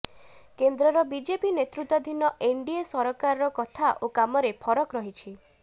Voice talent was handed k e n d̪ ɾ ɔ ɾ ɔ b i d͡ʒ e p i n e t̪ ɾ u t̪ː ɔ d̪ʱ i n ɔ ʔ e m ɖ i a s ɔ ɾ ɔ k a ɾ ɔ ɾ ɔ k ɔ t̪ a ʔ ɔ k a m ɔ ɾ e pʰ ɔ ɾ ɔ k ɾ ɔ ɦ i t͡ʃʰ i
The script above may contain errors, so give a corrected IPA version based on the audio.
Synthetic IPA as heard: k e n d̪ ɾ ɔ ɾ ɔ b i d͡ʒ e p i n e t̪ ɾ u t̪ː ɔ d̪ʱ i n ɔ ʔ e ɳ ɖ i e s ɔ ɾ ɔ k a ɾ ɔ ɾ ɔ k ɔ t̪ʰ a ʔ o k a m ɔ ɾ e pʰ ɔ ɾ ɔ k ɾ ɔ ɦ i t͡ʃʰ i